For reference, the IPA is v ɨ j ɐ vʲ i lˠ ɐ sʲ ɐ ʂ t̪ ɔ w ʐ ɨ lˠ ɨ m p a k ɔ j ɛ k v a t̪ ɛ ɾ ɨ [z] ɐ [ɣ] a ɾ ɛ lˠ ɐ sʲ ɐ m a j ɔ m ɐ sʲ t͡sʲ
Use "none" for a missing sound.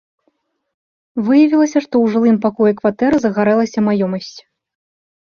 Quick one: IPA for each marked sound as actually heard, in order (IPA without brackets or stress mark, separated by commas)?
z, ɣ